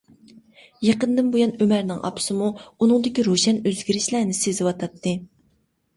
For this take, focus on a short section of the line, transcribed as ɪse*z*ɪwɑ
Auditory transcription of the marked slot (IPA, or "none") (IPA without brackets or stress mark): z